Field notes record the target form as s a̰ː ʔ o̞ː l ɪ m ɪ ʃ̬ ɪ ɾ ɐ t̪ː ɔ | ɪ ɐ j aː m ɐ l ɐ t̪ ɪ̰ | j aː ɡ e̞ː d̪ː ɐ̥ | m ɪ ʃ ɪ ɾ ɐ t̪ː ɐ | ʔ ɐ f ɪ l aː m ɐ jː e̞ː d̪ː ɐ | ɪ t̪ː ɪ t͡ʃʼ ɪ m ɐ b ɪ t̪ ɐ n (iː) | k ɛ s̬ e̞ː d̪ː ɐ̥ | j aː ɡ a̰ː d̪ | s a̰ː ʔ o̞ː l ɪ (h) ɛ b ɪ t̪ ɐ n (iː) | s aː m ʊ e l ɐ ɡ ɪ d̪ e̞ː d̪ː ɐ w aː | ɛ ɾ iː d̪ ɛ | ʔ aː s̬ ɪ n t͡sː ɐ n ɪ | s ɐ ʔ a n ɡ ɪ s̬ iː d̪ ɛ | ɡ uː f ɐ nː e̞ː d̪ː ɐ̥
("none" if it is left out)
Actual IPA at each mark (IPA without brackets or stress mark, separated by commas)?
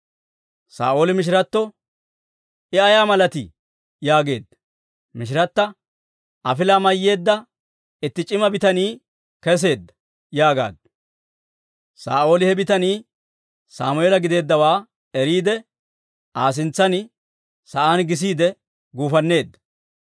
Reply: iː, h, iː